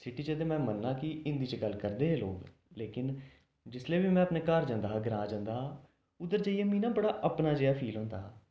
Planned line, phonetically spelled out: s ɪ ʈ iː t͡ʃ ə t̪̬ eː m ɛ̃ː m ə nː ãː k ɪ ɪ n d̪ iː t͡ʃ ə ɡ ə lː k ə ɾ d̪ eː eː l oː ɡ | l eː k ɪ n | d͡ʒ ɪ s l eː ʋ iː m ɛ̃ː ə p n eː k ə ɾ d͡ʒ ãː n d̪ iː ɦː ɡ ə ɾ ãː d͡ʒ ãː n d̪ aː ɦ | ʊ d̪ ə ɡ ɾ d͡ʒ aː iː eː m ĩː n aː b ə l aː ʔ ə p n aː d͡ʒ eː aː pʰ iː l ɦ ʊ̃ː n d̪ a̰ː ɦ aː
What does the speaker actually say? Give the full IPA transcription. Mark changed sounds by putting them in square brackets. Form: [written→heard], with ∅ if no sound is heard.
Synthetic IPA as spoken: s ɪ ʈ iː t͡ʃ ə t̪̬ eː m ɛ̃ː m ə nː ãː k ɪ ɪ n d̪ iː t͡ʃ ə ɡ ə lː k ə ɾ d̪ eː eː l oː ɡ | l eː k ɪ n | d͡ʒ ɪ s l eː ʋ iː m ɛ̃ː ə p n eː k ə ɾ d͡ʒ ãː n d̪ [iː→aː] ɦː ɡ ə ɾ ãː d͡ʒ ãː n d̪ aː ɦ | ʊ d̪ ə [ɡ→∅] ɾ d͡ʒ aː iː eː m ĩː n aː b ə [l→ɽ] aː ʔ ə p n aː d͡ʒ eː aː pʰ iː l ɦ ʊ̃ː n d̪ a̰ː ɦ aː